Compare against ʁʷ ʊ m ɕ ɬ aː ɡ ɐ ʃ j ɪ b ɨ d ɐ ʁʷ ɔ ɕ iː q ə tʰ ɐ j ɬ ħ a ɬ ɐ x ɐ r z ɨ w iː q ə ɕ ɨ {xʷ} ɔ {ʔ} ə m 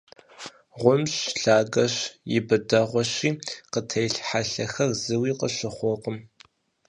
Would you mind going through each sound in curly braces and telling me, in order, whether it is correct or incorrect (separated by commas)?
incorrect, incorrect